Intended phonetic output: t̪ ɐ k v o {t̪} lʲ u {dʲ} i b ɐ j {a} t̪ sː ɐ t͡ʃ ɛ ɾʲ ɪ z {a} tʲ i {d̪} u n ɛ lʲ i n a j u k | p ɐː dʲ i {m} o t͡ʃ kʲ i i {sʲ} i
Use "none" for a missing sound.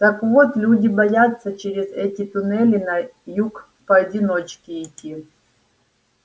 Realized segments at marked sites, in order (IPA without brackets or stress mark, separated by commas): t̪, dʲ, a, ɛ, t̪, n, tʲ